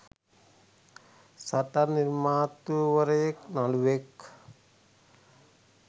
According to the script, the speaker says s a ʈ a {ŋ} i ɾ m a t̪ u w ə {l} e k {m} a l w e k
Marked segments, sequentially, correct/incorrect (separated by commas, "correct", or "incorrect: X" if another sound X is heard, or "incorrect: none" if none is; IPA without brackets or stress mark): incorrect: n, incorrect: ɾ, incorrect: n